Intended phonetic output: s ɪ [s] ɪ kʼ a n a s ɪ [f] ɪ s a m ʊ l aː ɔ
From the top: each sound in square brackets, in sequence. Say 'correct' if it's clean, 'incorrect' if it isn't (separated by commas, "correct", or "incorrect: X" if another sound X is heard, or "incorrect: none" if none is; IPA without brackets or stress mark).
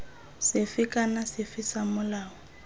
incorrect: f, correct